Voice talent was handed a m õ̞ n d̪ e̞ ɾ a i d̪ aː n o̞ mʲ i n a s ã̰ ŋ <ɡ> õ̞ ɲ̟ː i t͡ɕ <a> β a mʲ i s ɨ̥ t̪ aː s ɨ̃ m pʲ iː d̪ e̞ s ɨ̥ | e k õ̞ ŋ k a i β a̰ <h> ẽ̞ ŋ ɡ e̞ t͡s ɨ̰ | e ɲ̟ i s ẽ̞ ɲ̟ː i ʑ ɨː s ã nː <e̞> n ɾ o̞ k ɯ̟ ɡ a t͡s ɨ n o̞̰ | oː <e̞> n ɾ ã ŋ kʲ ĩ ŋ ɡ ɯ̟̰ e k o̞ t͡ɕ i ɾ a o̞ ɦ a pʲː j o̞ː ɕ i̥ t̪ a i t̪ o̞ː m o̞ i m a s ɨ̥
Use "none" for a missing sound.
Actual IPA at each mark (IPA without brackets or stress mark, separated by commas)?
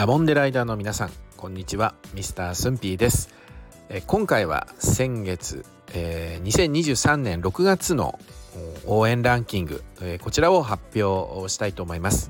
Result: k, i, s, ẽ̞, ẽ̞